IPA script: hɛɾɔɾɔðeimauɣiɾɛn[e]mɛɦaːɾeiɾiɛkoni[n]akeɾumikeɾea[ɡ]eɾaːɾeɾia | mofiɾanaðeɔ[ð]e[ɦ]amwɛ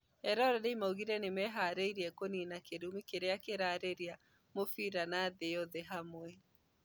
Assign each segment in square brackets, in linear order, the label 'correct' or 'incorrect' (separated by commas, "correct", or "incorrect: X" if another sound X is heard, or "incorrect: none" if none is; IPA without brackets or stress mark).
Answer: correct, correct, incorrect: k, correct, correct